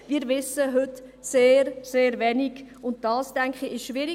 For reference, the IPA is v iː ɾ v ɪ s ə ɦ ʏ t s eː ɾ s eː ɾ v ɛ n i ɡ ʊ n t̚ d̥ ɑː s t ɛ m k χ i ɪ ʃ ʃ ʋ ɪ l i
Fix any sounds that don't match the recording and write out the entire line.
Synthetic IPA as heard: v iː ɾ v ɪ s ə ɦ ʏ t s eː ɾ s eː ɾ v ɛ n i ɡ ʊ n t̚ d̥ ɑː s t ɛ ŋ k χ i ɪ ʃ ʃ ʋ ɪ ɾ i